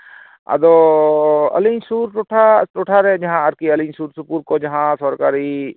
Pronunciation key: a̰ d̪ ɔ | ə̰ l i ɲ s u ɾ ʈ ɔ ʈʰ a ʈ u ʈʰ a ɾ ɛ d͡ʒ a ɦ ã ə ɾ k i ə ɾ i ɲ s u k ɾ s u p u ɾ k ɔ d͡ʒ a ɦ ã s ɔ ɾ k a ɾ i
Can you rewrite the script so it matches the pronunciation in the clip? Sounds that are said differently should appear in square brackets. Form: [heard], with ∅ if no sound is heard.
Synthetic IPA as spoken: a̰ d̪ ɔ | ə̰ l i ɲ s u ɾ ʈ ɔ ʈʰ a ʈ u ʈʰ a ɾ ɛ d͡ʒ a ɦ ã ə ɾ k i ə [l] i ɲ s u [∅] ɾ s u p u ɾ k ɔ d͡ʒ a ɦ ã s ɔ ɾ k a ɾ i